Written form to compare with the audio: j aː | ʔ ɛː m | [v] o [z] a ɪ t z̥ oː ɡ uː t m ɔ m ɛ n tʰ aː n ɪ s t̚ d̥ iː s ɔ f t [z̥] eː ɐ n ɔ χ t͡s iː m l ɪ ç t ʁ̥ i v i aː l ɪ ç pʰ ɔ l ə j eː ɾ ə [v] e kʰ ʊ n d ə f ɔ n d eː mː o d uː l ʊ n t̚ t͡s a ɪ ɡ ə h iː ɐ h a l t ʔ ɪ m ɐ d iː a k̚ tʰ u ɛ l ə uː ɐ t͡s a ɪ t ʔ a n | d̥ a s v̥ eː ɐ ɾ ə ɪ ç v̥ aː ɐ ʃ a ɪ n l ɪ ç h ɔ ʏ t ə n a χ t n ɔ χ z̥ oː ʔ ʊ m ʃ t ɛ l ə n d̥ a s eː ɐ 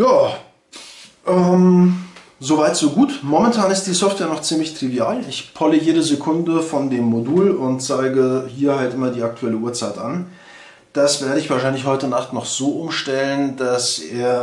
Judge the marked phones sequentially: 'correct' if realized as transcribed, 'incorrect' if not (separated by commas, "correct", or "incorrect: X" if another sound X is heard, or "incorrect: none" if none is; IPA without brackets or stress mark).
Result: incorrect: z, incorrect: v, incorrect: v̥, incorrect: z